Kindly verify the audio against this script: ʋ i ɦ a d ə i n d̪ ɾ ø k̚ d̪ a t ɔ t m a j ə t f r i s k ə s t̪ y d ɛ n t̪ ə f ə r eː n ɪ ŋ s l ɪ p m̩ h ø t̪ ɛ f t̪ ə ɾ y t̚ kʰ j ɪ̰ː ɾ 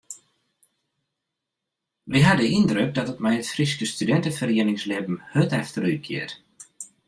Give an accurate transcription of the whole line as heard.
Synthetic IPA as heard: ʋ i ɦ a d ə i n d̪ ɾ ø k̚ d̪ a t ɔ t m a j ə t f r i s k ə s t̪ y d ɛ n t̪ ə f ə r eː n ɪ ŋ s l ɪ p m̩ h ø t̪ ɛ f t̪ ə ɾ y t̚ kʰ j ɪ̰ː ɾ